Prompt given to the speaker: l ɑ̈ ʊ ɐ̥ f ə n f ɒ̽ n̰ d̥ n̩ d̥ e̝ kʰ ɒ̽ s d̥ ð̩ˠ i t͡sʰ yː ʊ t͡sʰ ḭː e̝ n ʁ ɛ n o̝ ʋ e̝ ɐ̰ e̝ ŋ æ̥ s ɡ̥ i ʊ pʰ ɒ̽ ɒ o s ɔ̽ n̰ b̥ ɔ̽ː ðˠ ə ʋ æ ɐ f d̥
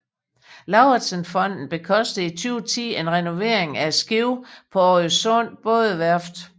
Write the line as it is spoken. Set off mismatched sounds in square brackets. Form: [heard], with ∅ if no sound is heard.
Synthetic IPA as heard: l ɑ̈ ʊ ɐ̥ [s] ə n f ɒ̽ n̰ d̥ n̩ [b̥] e̝ kʰ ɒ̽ s d̥ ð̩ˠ i t͡sʰ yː ʊ t͡sʰ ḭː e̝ n ʁ ɛ n o̝ ʋ e̝ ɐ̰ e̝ ŋ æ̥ s ɡ̥ i ʊ pʰ ɒ̽ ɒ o s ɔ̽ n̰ b̥ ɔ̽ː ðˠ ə ʋ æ ɐ f d̥